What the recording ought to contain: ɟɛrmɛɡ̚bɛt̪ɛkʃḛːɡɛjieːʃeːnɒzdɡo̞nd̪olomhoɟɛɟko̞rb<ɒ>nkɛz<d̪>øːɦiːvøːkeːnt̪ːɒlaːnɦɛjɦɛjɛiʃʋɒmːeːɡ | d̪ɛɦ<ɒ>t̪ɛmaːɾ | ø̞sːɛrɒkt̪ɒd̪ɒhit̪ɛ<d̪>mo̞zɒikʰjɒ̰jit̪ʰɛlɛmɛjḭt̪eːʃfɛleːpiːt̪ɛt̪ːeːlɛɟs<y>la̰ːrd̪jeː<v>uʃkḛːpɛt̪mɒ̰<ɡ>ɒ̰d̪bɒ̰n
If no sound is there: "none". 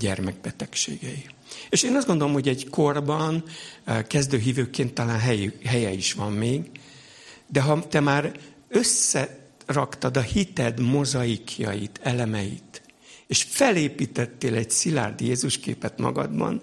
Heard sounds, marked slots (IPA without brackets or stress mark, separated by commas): ɒ, d̪, ɒ, d̪, i, z, ɡ